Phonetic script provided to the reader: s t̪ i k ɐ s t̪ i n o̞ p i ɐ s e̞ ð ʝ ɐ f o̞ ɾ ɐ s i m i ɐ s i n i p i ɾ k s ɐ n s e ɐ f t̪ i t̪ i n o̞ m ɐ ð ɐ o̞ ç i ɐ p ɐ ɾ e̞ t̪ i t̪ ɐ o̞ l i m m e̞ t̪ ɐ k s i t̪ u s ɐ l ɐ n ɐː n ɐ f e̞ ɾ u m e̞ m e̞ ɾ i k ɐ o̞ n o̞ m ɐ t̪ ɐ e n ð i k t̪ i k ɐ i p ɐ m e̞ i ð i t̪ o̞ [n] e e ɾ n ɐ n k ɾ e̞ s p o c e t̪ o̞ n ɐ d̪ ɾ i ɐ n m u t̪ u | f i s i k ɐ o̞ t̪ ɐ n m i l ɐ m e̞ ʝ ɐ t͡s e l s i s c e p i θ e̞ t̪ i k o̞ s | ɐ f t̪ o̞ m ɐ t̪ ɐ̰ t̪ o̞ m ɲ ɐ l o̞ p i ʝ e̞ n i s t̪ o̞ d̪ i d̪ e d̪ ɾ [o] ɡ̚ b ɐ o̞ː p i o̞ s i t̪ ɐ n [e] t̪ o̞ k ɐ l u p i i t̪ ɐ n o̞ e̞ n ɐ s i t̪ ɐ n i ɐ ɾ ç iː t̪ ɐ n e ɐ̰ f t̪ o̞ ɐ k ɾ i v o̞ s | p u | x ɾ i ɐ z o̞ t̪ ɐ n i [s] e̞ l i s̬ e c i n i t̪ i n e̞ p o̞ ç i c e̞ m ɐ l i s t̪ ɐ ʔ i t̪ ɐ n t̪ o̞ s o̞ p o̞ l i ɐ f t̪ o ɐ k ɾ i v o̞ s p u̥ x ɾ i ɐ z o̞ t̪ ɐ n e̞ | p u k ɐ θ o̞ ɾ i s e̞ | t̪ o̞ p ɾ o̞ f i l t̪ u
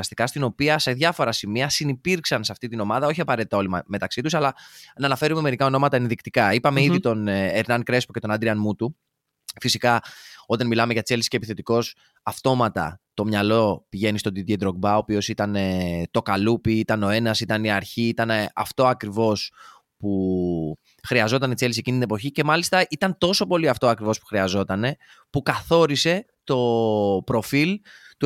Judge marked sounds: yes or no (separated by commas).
yes, yes, yes, no